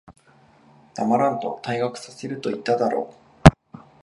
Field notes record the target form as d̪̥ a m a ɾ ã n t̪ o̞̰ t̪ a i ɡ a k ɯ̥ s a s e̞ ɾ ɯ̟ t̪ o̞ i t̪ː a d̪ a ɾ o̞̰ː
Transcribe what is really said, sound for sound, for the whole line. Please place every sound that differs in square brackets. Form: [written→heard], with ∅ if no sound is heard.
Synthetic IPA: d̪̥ a m a ɾ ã n t̪ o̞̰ t̪ a i ɡ a k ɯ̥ s a s e̞ ɾ ɯ̟ t̪ o̞ i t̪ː a d̪ a ɾ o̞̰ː